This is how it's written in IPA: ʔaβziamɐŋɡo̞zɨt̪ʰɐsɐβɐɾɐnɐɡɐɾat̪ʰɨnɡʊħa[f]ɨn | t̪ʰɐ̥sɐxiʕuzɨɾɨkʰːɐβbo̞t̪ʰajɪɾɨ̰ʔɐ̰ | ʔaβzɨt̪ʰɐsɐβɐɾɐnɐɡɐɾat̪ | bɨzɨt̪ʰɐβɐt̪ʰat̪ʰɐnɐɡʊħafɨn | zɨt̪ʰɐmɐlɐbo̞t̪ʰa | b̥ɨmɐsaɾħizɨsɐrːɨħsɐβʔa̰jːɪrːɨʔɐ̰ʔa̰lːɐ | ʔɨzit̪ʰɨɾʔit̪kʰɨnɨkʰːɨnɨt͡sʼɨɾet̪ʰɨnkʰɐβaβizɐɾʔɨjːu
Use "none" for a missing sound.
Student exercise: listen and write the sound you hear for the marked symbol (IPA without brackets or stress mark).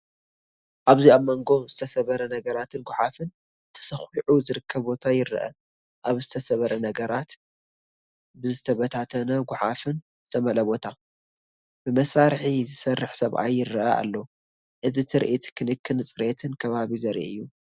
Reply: f